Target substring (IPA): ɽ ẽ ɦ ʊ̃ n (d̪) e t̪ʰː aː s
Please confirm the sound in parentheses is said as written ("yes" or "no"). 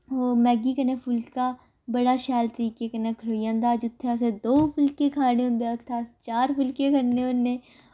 yes